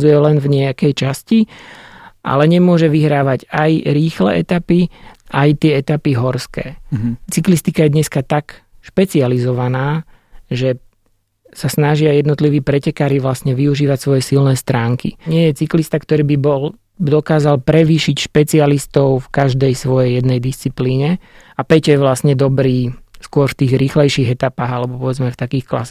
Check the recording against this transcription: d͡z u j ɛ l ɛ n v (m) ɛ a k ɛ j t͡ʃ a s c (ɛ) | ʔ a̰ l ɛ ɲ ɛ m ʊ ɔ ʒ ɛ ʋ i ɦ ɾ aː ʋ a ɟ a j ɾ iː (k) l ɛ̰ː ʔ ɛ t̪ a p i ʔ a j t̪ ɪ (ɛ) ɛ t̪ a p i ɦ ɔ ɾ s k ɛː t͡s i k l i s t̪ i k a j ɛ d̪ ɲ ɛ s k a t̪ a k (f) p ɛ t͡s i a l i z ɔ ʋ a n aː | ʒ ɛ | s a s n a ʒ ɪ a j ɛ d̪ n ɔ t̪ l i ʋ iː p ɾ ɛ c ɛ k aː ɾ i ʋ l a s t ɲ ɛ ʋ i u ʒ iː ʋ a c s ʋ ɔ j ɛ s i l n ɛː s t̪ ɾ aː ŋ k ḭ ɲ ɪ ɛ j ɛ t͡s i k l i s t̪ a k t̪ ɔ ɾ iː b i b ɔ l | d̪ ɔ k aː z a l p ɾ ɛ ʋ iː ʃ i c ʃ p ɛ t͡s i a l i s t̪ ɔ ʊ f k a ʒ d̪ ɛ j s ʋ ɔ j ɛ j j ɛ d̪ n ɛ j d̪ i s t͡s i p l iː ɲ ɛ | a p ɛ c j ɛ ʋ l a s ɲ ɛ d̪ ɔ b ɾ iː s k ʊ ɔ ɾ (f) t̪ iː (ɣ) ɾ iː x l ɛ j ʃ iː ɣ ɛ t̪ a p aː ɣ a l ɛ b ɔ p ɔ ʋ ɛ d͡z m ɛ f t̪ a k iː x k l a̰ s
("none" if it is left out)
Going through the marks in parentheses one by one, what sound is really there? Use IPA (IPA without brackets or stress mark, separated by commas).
ɲ, i, x, ɛ, ʃ, f, ɣ